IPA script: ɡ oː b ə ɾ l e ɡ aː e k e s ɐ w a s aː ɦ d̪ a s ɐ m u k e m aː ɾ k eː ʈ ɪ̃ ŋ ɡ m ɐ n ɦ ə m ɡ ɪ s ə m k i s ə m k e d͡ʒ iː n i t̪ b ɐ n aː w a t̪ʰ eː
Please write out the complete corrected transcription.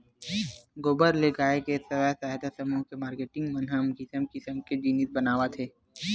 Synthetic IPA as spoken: ɡ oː b ə ɾ l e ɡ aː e k e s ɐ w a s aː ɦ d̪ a s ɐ m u k e m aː ɾ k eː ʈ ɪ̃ ŋ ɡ m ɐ n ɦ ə m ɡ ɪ s ə m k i s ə m k e d͡ʒ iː n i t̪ b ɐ n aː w a t̪ʰ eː